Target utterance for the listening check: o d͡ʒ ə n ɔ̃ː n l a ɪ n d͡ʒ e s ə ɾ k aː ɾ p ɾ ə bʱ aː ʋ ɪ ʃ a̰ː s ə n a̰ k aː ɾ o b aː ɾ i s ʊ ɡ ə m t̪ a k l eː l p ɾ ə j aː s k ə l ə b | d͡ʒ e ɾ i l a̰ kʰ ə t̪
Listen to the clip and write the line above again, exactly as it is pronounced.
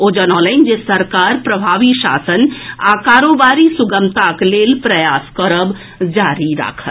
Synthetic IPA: o d͡ʒ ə n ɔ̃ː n l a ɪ n d͡ʒ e s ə ɾ k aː ɾ p ɾ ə bʱ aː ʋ i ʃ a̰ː s ə n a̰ k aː ɾ o b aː ɾ i s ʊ ɡ ə m t̪ a k l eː l p ɾ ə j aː s k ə ɾ ə b | d͡ʒ a ɾ i ɾ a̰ kʰ ə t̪

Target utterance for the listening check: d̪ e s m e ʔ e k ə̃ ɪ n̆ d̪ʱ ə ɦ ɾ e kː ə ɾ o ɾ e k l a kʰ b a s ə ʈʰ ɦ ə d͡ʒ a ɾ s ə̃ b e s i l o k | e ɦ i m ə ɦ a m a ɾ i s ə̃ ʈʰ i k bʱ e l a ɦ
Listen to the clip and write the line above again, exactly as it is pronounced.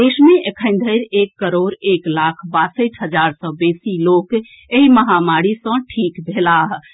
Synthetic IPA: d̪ e s m e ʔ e kʰ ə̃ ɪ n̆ d̪ʱ ə ɾ e kː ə ɾ o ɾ e k l a kʰ b a s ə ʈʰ ɦ ə d͡ʒ a ɾ s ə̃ b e s i l o k | e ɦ i m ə ɦ a m a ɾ i s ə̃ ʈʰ i k bʱ e l a ɦ

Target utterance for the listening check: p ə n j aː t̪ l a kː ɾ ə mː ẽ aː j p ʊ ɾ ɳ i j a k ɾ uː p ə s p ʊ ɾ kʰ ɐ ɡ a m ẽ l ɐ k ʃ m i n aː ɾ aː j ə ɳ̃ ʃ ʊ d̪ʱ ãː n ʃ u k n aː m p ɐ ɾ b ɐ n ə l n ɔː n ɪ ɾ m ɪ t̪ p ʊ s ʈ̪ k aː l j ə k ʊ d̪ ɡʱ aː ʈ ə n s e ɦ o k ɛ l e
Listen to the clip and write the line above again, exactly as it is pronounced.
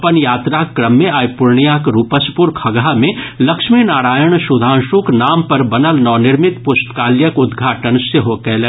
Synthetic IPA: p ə n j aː t̪ ɾ a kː ɾ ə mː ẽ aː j p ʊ ɾ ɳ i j a k ɾ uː p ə s p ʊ ɾ kʰ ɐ ɡ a m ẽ l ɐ k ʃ m i n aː ɾ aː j ə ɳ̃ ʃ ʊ d̪ʱ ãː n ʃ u k n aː m p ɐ ɾ b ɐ n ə l n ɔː n ɪ ɾ m ɪ t̪ p ʊ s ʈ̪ k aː l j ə k ʊ d̪ ɡʱ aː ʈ ə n s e ɦ o k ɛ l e

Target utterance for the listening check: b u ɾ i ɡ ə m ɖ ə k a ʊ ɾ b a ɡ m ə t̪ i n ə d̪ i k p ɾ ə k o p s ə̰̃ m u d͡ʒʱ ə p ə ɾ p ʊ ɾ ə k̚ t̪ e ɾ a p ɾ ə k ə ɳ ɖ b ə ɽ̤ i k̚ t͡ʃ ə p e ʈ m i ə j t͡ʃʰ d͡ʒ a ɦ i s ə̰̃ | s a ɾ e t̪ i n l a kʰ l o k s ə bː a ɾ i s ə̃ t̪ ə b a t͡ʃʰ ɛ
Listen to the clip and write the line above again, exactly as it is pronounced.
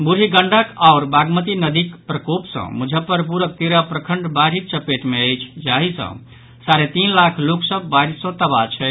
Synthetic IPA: b u ɾ i ɡ ə ɳ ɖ ə k a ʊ ɾ b a ɡ m ə t̪ i n ə d̪ i k p ɾ ə k o p s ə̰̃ m u d͡ʒʱ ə p ə ɾ p u ɾ ə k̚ t̪ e ɾ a p ɾ ə kʰ ə ɳ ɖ b a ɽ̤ i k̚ t͡ʃ ə p e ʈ m e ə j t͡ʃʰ d͡ʒ a ɦ i s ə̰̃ | s a ɾ e t̪ i n l a kʰ l o k s ə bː a ɾ i s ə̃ t̪ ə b a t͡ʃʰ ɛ

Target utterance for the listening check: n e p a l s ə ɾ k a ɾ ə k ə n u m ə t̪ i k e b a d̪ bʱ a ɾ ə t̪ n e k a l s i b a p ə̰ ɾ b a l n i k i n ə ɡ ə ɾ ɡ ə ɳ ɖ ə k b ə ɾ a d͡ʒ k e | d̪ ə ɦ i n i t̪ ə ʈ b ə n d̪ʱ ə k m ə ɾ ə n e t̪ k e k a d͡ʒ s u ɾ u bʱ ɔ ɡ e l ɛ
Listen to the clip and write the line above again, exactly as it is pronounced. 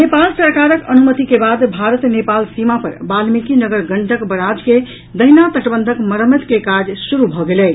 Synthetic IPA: n e p a l s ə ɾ k a ɾ ə k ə n u m ə t̪ i k e b a d̪ bʱ a ɾ ə t̪ n e p a l s i m a p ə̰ ɾ b a l m i k i n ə ɡ ə ɾ ɡ ə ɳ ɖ ə k b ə ɾ a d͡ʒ k e | d̪ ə ɦ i n a t̪ ə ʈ b ə n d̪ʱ ə k m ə ɾ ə m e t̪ k e k a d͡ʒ s u ɾ u bʱ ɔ ɡ e l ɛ

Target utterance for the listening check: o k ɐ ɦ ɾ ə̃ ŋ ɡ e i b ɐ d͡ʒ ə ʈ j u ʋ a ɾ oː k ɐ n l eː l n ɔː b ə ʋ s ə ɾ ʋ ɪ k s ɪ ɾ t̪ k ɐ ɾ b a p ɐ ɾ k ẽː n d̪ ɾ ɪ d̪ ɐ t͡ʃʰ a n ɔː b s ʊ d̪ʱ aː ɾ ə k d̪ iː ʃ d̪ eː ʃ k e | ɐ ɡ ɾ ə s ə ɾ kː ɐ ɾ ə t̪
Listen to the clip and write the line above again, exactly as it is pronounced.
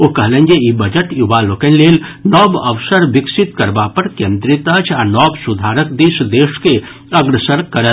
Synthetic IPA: o k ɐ ɦ l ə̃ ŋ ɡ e i b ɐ d͡ʒ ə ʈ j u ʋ a l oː k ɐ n l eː l n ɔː b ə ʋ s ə ɾ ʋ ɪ k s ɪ t̪ k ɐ ɾ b a p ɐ ɾ k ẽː n d̪ ɾ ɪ t̪ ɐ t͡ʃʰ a n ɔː b s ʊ d̪ʱ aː ɾ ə k d̪ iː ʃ d̪ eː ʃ k e | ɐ ɡ ɾ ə s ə ɾ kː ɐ ɾ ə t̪

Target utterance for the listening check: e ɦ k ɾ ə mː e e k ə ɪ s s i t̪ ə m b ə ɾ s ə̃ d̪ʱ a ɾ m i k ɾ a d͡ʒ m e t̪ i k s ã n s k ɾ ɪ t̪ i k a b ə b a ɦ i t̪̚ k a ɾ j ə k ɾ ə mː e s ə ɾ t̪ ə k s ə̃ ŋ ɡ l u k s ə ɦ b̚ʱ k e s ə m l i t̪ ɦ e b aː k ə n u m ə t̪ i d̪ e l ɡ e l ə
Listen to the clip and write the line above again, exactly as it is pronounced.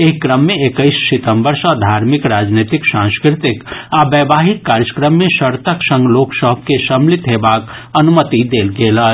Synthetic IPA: e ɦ k ɾ ə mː e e k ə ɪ s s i t̪ ə m b ə ɾ s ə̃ d̪ʱ a ɾ m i k ɾ a d͡ʒ n e t̪ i k s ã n s k ɾ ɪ t̪ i k a b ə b a ɦ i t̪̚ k a ɾ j ə k ɾ ə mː e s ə ɾ t̪ ə k s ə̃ ŋ ɡ l o k s ə ɦ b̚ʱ k e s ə m l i t̪ ɦ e b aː k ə n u m ə t̪ i d̪ e l ɡ e l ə

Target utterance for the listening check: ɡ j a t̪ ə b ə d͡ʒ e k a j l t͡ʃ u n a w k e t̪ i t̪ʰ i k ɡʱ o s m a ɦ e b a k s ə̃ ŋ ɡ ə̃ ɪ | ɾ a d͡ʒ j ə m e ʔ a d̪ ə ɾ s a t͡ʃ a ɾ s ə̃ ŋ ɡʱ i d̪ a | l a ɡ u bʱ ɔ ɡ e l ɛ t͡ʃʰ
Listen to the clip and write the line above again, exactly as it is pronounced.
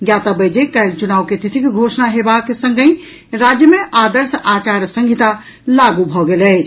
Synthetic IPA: ɡ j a t̪ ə b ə d͡ʒ e k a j l t͡ʃ u n a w k e t̪ i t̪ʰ i k ɡʱ o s n a ɦ e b a k s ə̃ ŋ ɡ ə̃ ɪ | ɾ a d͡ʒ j ə m e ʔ a d̪ ə ɾ s a t͡ʃ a ɾ s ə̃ ŋ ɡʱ i t̪ a | l a ɡ u bʱ ɔ ɡ e l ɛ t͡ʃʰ

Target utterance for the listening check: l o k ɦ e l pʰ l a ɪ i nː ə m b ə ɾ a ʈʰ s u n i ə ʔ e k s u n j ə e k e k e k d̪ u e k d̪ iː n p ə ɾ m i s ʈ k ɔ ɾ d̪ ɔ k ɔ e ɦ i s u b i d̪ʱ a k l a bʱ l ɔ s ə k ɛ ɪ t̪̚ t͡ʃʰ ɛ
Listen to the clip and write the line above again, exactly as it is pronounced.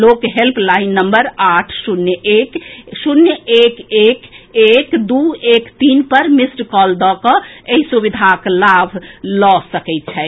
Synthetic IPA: l o k ɦ e l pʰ l a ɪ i nː ə m b ə ɾ a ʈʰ s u n j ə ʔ e k s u n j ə e k e k e k d̪ u e k t̪ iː n p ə ɾ m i s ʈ k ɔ l d̪ ɔ k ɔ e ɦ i s u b i d̪ʱ a k l a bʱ l ɔ s ə k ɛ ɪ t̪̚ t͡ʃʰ ɛ

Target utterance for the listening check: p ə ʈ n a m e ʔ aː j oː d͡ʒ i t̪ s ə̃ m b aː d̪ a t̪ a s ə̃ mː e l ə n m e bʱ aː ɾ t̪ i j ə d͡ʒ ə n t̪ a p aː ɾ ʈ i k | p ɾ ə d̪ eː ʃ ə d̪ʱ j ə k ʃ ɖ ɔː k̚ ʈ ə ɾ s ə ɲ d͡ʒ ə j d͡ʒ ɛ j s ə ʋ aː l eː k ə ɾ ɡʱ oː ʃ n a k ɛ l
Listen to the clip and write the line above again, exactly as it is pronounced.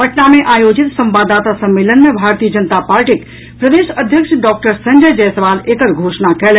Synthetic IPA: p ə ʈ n a m e ʔ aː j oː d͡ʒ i t̪ s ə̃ m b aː d̪ a t̪ a s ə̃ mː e l ə n m e bʱ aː ɾ t̪ i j ə d͡ʒ ə n t̪ a p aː ɾ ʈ i k | p ɾ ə d̪ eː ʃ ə d̪ʱ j ə k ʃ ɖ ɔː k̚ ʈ ə ɾ s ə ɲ d͡ʒ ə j d͡ʒ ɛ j s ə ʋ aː l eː k ə ɾ ɡʱ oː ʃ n a k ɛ l

